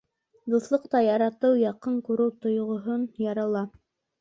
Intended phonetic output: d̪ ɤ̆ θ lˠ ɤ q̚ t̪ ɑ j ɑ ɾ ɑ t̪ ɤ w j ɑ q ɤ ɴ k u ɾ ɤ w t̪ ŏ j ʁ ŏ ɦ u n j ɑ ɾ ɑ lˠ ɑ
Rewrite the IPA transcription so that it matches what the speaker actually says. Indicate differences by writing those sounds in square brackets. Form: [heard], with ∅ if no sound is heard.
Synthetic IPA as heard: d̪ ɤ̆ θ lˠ ɤ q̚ t̪ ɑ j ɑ ɾ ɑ t̪ ɤ w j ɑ q ɤ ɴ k u ɾ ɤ w t̪ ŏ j ʁ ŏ ɦ [o] n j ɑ ɾ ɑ lˠ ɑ